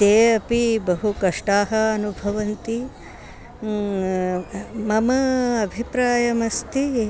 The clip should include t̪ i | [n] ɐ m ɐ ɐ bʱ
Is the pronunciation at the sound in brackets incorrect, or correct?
incorrect